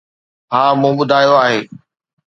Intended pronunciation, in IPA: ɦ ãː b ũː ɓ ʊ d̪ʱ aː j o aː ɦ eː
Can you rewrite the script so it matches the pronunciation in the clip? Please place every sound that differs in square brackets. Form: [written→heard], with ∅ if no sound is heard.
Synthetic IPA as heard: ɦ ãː [b→m] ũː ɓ ʊ d̪ʱ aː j o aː ɦ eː